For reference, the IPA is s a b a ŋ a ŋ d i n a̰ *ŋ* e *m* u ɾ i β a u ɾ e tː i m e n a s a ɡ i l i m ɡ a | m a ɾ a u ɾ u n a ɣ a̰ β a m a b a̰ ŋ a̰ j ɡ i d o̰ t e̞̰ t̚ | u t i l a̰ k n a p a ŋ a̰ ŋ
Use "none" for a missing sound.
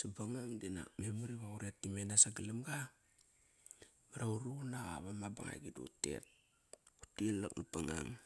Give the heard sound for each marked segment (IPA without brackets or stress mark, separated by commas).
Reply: m, m